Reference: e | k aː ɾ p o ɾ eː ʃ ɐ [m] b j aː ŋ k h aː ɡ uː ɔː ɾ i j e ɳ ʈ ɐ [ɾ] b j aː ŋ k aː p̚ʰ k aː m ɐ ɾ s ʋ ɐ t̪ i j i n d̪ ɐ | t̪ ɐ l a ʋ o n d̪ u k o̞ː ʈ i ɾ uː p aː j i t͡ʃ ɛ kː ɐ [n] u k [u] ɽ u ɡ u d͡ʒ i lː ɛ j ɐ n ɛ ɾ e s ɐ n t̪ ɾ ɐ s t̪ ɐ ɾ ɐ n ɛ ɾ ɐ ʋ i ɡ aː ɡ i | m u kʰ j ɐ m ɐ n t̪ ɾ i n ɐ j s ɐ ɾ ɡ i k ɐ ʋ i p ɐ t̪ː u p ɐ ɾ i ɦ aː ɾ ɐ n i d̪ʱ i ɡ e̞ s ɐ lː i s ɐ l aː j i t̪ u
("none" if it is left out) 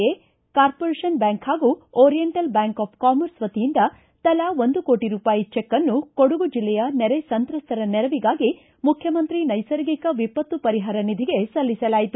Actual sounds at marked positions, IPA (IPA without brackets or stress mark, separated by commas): n, l, nː, o